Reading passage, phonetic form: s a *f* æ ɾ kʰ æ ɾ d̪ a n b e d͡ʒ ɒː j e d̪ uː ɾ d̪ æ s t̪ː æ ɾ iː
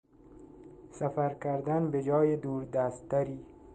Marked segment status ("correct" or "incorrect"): correct